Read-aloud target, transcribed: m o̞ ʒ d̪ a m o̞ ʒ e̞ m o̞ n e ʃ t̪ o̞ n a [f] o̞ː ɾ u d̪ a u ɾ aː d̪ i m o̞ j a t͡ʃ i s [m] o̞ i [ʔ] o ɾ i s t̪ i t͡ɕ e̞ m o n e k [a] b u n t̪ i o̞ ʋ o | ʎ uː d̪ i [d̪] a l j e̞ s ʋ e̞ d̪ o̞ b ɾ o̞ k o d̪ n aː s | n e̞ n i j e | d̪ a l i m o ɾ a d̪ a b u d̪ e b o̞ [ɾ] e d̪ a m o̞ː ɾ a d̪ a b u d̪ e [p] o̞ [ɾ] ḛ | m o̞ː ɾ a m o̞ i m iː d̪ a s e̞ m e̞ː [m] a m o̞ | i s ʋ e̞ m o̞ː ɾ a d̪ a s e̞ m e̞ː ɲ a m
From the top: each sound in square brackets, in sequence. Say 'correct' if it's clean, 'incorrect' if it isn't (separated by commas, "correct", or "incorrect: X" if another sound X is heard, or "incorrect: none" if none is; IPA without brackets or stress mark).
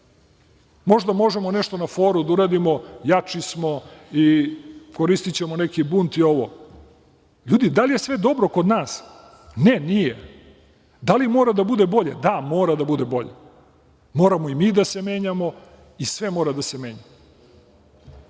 correct, correct, incorrect: k, incorrect: i, correct, incorrect: ʎ, incorrect: b, incorrect: ʎ, incorrect: ɲ